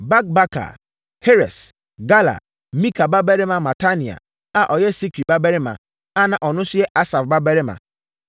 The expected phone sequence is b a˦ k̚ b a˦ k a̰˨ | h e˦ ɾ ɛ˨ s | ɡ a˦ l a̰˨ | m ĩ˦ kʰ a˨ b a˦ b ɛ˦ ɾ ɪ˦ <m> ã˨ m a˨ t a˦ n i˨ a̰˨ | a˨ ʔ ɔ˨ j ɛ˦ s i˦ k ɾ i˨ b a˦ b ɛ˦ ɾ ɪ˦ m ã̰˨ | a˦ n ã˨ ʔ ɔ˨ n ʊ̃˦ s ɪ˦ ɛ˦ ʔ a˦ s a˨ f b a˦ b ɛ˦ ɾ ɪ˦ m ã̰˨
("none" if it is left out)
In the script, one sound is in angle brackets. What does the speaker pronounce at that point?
m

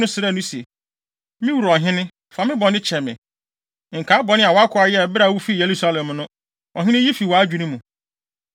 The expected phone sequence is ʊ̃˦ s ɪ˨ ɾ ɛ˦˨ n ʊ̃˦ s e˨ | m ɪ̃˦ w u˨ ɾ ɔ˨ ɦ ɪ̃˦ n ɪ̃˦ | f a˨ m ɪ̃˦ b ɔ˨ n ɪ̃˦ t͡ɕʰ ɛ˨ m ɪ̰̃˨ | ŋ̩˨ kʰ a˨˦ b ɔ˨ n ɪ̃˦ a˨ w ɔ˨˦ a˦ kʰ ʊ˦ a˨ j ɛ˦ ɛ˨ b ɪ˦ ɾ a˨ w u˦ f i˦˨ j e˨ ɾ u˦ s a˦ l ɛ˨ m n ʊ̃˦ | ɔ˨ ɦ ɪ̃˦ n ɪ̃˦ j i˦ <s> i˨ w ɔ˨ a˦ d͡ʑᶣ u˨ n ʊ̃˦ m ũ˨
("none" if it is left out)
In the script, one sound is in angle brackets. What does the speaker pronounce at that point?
f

